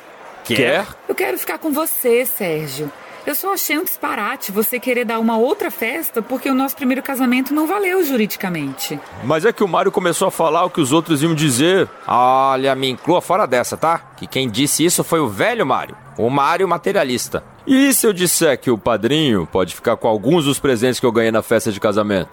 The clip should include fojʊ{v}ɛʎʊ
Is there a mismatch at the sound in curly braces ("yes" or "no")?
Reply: no